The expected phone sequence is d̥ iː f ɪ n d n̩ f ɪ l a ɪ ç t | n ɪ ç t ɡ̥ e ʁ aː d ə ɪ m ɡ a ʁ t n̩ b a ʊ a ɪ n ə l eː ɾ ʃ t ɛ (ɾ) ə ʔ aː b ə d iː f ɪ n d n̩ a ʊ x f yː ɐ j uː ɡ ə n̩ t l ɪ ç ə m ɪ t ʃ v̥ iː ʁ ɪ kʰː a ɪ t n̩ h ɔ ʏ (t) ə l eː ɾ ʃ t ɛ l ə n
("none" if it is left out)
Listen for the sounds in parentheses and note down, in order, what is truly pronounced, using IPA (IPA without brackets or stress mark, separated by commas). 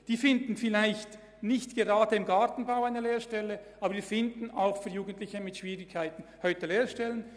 l, t